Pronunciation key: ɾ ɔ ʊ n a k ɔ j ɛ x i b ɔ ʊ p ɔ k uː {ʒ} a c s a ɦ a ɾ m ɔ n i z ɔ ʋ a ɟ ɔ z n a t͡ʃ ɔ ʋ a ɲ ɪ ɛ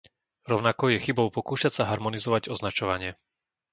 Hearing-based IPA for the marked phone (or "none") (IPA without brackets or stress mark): ʃ